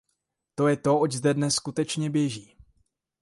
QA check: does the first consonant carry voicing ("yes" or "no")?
no